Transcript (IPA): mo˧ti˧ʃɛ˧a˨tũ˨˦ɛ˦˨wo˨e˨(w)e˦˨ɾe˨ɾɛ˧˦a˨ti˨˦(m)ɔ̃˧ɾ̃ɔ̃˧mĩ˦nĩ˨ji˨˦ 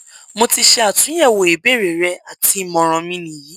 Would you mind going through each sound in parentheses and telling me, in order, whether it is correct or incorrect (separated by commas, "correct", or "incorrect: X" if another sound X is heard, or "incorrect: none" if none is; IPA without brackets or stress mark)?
incorrect: b, correct